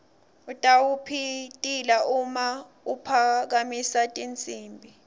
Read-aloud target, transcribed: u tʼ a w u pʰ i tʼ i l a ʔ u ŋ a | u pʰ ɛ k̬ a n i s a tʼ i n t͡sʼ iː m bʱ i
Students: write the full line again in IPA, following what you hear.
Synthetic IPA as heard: u tʼ a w u pʰ i tʼ i l a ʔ u m a | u pʰ a k̬ a m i s a tʼ i n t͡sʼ iː m bʱ i